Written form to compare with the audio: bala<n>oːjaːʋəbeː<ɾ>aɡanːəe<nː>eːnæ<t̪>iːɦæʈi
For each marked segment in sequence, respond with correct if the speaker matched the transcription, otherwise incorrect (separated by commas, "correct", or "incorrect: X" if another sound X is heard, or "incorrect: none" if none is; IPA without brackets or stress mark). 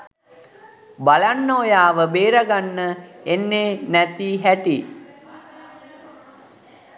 incorrect: nː, correct, correct, correct